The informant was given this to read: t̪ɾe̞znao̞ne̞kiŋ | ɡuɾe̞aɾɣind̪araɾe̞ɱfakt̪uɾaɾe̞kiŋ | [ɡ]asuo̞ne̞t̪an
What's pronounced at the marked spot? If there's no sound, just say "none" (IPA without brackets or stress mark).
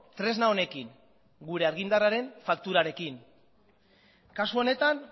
k